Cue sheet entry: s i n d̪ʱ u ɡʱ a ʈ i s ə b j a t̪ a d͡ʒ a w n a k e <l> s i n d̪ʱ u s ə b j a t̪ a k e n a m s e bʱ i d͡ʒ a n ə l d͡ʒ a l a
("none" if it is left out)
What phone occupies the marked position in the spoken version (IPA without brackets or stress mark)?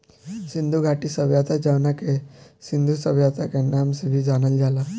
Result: none